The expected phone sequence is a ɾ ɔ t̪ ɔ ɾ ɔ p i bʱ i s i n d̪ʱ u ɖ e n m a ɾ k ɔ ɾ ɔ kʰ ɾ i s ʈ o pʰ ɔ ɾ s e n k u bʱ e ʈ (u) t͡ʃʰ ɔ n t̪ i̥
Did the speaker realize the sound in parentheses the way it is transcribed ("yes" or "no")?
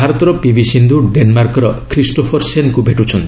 yes